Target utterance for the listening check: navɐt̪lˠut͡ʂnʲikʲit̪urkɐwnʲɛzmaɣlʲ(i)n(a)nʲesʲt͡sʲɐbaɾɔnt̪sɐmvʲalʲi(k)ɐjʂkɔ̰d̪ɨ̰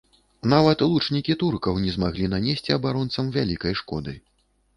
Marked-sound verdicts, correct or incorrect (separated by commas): correct, correct, correct